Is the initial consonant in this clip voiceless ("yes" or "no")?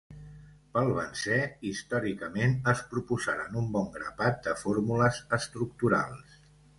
yes